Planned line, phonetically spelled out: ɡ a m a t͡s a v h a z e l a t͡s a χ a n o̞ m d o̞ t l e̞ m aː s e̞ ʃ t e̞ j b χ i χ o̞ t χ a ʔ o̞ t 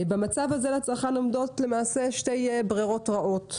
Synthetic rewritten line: b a m a t͡s a v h a z e l a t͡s a χ a n o̞ m d o̞ t l e̞ m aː s e̞ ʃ t e̞ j b ʁ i ʁ o̞ t ʁ a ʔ o̞ t